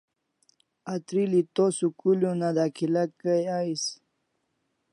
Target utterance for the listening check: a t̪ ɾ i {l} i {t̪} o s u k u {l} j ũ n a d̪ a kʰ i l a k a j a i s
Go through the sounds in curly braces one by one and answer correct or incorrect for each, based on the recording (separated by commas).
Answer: correct, correct, correct